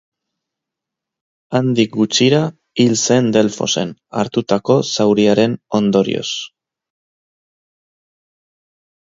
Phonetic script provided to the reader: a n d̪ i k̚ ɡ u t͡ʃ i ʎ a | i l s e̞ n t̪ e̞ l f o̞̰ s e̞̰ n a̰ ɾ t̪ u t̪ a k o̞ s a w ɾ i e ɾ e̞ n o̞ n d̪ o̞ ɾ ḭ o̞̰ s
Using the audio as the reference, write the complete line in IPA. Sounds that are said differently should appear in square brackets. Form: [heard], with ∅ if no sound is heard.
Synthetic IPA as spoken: a n d̪ i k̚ ɡ u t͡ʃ i [ɾ] a | i l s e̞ n [d̪] e̞ l f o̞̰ s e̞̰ n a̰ ɾ t̪ u t̪ a k o̞ s a w ɾ i [a] ɾ e̞ n o̞ n d̪ o̞ ɾ ḭ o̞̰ s